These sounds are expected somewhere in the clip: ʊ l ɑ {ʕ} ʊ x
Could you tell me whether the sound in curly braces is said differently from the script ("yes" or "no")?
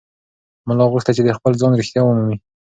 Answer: yes